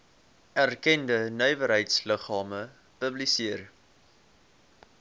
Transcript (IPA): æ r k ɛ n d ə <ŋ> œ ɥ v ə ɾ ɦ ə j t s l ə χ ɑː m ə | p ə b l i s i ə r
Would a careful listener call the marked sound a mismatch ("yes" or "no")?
yes